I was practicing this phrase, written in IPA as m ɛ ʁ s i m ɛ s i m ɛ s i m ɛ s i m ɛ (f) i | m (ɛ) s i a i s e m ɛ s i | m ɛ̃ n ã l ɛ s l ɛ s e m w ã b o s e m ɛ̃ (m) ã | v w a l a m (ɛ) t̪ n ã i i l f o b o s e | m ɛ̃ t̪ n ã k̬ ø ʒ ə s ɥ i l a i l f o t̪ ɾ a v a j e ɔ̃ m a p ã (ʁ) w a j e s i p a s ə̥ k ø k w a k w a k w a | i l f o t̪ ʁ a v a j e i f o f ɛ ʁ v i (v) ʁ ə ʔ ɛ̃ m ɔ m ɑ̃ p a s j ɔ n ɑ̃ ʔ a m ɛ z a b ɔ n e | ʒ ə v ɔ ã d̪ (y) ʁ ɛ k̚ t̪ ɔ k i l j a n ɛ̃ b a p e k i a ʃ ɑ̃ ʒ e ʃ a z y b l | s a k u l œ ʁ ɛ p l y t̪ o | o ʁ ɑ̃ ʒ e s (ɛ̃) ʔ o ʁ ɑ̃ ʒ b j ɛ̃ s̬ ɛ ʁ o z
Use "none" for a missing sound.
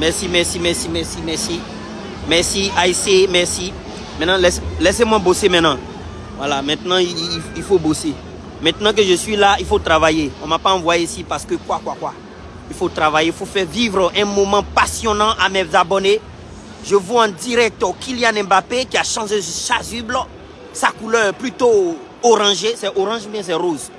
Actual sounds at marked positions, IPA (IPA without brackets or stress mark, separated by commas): s, ɛ, n, ɛ̃, v, v, i, ɛ